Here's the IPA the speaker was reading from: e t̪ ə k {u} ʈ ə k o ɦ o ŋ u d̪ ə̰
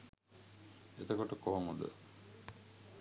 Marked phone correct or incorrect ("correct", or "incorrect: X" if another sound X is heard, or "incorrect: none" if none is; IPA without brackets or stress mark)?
incorrect: o